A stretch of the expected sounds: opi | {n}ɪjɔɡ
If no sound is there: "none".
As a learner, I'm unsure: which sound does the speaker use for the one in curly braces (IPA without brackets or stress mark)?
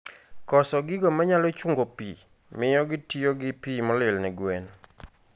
m